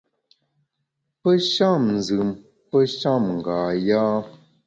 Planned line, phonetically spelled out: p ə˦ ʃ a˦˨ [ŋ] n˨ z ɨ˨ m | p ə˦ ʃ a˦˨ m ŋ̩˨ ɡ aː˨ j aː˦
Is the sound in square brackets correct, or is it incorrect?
incorrect